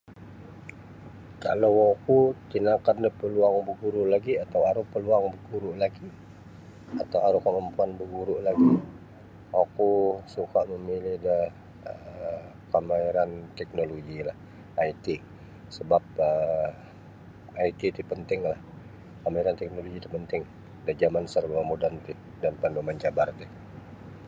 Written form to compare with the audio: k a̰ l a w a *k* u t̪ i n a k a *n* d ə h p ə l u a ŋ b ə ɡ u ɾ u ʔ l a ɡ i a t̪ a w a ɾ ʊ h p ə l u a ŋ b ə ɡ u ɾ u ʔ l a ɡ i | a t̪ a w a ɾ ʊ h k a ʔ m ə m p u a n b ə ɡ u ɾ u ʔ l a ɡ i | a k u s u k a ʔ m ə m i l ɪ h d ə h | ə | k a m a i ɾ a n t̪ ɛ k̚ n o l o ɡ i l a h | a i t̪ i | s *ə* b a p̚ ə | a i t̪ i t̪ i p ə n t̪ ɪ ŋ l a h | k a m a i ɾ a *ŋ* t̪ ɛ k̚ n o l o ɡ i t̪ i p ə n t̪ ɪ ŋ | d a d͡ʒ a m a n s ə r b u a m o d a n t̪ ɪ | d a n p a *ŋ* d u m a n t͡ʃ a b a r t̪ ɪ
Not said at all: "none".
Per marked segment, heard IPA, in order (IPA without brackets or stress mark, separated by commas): k, n, ə, n, n